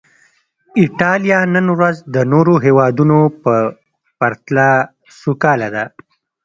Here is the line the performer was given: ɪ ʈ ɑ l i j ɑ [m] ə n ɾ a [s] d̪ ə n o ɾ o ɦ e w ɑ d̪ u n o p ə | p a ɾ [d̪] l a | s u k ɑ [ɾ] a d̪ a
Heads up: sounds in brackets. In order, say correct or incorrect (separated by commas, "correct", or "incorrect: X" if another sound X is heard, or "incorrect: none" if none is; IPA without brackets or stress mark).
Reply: incorrect: n, incorrect: z, incorrect: t̪, incorrect: l